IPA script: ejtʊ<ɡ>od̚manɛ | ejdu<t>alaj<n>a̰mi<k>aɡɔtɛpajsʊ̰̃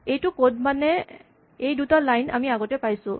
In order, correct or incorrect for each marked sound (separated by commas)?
incorrect, correct, correct, incorrect